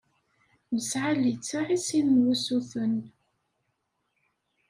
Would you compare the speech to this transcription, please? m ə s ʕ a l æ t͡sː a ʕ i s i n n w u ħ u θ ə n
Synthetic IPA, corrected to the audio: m ə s ʕ a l i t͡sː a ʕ i s i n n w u s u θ ə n